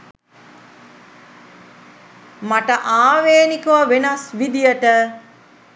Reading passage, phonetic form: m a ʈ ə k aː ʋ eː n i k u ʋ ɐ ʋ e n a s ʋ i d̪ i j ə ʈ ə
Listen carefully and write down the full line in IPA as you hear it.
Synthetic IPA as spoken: m a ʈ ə ʔ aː ʋ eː n i k u ʋ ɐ ʋ e n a s ʋ i d̪ i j ə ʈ ə